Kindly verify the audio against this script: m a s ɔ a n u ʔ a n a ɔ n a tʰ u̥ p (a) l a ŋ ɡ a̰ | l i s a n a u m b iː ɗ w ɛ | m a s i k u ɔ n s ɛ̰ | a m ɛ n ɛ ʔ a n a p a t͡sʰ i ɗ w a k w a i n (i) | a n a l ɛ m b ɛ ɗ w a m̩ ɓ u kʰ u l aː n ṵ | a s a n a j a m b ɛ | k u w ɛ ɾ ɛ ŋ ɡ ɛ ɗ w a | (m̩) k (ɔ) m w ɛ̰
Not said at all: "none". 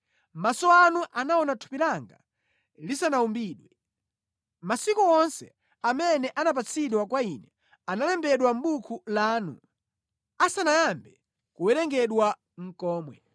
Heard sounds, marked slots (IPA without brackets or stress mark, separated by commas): i, ɛ, ŋ̩, ɔː